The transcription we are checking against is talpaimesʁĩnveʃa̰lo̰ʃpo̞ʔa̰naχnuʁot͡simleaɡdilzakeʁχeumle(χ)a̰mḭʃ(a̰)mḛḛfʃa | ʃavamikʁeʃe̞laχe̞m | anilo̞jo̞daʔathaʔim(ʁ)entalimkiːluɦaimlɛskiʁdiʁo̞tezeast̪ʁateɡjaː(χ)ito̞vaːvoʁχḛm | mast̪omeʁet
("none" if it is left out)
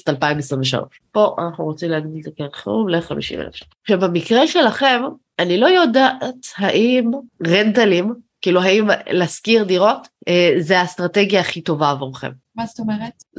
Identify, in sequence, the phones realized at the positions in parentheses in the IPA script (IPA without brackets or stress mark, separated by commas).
χ, ḭ, ʁ, χ